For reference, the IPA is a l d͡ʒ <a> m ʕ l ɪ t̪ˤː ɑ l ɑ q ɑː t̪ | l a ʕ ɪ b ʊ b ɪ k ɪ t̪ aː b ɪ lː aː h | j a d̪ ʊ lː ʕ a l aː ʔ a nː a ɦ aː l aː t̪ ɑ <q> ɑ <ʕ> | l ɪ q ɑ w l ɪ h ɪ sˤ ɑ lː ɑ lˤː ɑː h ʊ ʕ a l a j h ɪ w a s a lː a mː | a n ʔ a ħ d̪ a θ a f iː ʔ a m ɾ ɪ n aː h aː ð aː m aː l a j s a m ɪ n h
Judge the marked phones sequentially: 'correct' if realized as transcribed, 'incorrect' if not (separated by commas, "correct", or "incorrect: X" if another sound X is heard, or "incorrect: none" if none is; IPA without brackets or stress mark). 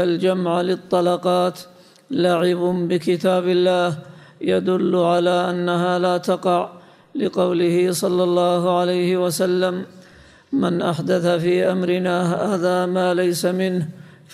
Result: correct, correct, correct